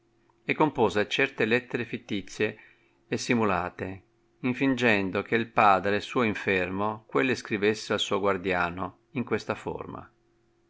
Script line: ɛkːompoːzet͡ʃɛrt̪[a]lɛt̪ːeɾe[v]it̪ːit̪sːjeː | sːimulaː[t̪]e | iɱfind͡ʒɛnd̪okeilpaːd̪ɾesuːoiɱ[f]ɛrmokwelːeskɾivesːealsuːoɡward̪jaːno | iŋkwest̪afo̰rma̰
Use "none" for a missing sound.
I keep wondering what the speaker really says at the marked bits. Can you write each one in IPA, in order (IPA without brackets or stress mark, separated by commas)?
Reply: e, f, t̪, f